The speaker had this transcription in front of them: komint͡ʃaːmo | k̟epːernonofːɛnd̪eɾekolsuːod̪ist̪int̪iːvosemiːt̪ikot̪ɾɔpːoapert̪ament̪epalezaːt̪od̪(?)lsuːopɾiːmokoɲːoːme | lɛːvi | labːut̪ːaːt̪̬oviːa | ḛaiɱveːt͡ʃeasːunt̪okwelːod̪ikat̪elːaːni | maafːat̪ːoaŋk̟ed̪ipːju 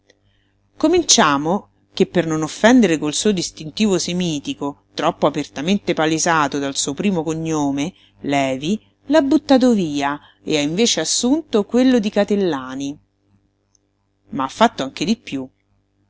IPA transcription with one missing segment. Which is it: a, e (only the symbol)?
a